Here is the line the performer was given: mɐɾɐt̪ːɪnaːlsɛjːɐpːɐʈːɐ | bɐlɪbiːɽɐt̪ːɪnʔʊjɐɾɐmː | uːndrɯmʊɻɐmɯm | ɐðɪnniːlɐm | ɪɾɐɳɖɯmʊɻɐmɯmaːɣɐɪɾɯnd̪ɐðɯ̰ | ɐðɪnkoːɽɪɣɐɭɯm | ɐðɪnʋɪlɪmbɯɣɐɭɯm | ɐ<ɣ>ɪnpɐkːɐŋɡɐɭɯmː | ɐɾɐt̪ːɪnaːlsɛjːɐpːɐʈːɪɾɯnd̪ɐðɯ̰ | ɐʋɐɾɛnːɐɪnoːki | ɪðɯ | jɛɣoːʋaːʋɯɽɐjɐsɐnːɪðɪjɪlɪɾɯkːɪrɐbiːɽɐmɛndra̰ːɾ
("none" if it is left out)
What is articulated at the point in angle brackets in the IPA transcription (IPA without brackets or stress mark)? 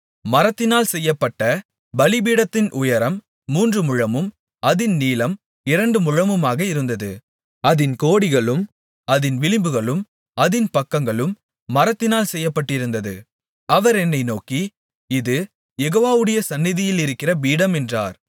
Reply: ð